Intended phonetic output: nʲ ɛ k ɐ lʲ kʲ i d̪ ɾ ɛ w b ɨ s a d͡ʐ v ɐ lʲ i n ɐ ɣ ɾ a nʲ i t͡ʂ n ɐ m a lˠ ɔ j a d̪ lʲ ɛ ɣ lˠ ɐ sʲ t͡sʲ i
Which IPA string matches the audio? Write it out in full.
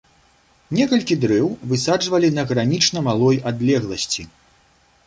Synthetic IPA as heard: nʲ ɛ k ɐ lʲ kʲ i d̪ ɾ ɛ w v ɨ s a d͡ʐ v ɐ lʲ i n ɐ ɣ ɾ a nʲ i t͡ʂ n ɐ m a lˠ ɔ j a d̪ lʲ ɛ ɣ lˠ ɐ sʲ t͡sʲ i